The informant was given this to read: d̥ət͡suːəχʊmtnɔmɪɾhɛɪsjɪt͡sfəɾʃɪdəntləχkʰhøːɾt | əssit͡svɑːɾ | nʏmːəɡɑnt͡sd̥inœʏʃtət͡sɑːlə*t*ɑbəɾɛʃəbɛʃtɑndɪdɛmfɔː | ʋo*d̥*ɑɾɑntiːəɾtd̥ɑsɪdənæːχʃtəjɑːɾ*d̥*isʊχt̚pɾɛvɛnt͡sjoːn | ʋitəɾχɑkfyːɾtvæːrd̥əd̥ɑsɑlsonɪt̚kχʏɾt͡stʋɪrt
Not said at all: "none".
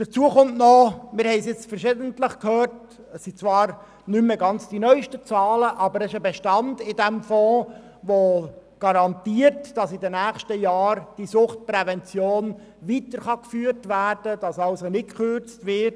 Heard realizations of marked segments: ʔ, ɡ̥, d̥

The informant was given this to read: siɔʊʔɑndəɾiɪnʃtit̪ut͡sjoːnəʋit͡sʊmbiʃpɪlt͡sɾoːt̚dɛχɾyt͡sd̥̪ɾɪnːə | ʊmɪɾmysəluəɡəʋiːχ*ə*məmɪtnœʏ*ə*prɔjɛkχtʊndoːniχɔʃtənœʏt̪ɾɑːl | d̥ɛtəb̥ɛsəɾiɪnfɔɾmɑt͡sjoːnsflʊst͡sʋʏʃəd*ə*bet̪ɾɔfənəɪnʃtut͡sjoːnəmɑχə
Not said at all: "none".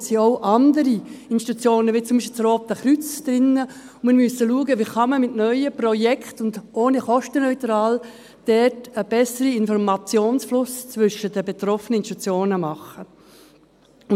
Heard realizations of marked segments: ɑ, ə, ə

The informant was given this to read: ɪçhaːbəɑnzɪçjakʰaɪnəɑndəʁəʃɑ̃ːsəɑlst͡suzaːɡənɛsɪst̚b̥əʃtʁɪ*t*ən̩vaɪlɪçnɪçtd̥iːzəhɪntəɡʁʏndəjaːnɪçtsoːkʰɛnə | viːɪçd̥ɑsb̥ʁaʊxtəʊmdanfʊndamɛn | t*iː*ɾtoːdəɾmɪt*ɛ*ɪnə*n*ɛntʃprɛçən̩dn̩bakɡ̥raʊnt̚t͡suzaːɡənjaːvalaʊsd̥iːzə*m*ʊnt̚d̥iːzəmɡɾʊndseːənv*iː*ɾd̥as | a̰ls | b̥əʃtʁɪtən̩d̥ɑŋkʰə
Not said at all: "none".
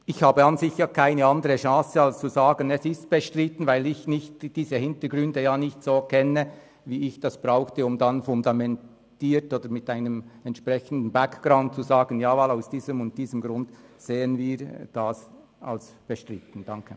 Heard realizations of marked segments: t, iː, a, m, m, iː

